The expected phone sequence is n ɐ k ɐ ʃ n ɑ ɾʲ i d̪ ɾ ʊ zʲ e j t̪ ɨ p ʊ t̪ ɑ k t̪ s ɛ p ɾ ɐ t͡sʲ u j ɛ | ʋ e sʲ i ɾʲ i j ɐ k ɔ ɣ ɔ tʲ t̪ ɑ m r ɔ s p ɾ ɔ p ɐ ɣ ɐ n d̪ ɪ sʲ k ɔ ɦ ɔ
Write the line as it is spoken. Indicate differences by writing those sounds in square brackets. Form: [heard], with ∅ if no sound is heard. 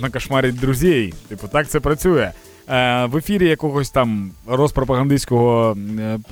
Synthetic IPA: n ɐ k ɐ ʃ [m] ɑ ɾʲ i d̪ ɾ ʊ zʲ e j t̪ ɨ p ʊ t̪ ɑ k t̪ s ɛ p ɾ ɐ t͡sʲ u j ɛ | ʋ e [fʲ] i ɾʲ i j ɐ k ɔ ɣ ɔ [sʲ] t̪ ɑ m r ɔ s p ɾ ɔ p ɐ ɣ ɐ n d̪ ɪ sʲ k ɔ ɦ ɔ